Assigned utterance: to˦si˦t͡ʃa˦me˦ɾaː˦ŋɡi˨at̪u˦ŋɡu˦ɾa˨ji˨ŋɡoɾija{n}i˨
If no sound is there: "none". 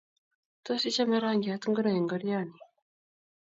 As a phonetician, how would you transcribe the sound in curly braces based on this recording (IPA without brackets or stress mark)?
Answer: n